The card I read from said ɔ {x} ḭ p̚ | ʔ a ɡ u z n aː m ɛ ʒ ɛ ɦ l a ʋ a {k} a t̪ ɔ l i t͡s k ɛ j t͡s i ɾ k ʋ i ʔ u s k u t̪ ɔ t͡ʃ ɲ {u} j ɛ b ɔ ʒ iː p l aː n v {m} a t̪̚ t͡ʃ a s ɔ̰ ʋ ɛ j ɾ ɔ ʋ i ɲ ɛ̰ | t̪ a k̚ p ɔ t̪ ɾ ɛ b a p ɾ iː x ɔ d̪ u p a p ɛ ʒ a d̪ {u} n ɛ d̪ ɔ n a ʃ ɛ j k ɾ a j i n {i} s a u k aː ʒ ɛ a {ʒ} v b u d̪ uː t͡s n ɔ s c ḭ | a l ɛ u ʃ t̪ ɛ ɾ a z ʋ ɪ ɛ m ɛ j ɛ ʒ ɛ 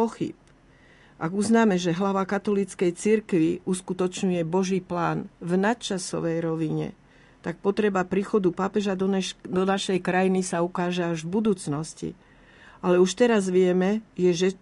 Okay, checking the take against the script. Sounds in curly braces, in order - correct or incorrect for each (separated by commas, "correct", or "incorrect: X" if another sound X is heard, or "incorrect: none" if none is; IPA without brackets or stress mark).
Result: correct, correct, correct, incorrect: n, incorrect: ɔ, correct, correct